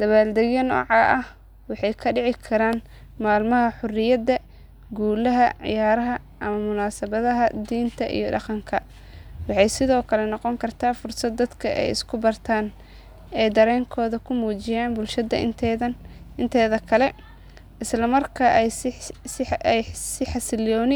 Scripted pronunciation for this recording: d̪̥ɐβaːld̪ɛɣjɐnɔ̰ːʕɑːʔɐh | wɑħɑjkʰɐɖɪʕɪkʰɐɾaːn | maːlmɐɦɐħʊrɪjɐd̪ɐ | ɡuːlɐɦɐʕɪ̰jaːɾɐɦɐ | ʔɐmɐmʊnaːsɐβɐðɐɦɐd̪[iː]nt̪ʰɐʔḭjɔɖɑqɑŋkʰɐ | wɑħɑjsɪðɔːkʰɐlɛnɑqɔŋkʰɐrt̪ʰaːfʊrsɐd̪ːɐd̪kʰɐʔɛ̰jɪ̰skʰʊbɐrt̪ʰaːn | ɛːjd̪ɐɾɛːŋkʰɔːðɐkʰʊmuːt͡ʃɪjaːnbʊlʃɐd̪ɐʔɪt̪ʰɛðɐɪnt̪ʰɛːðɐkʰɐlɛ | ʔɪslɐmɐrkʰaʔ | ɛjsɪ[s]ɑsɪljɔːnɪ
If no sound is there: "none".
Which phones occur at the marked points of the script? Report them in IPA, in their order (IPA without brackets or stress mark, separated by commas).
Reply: iː, ħ